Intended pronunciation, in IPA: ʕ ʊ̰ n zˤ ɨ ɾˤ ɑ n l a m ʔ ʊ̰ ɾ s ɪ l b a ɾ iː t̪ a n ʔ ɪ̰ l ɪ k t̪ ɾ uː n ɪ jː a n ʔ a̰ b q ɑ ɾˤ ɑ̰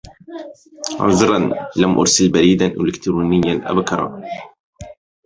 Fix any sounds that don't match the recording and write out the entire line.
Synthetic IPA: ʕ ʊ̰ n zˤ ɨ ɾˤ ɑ n l a m ʔ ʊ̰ ɾ s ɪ l b a ɾ iː d̪ a n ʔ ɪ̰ l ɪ k t̪ ɾ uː n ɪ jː a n ʔ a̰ b k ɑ ɾˤ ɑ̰